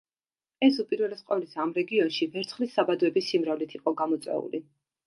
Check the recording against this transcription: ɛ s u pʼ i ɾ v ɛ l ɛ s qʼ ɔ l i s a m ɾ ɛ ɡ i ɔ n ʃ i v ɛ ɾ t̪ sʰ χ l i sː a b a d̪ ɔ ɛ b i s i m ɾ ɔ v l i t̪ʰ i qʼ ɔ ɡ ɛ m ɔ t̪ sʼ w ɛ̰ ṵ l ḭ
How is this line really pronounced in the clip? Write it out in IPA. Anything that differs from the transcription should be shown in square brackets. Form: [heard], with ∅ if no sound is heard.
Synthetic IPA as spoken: ɛ s u pʼ i ɾ v ɛ l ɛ s qʼ ɔ l i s a m ɾ ɛ ɡ i ɔ n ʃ i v ɛ ɾ t̪ sʰ χ l i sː a b a d̪ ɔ ɛ b i s i m ɾ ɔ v l i t̪ʰ i qʼ ɔ ɡ [a] m ɔ t̪ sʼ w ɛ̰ ṵ l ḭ